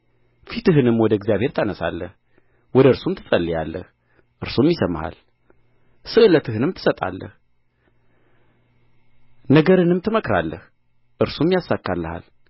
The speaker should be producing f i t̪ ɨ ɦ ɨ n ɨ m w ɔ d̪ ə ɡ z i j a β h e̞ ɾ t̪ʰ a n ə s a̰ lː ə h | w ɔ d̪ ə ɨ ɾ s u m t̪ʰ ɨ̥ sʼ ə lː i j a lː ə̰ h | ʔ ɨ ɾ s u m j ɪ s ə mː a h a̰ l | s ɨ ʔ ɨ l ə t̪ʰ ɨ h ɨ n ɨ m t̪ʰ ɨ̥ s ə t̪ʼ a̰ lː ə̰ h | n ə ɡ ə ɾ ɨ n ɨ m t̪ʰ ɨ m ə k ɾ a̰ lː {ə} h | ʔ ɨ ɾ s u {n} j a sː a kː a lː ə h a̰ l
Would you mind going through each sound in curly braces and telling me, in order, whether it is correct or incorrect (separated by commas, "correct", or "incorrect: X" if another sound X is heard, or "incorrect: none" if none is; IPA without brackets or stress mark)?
correct, incorrect: m